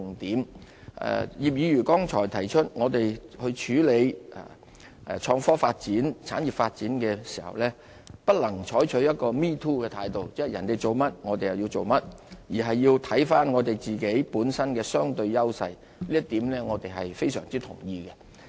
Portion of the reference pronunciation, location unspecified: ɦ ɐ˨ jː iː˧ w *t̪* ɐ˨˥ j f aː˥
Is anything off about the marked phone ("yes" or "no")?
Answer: yes